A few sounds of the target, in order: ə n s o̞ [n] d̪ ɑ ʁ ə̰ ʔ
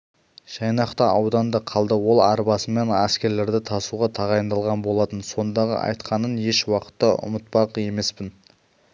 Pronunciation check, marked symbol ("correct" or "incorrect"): correct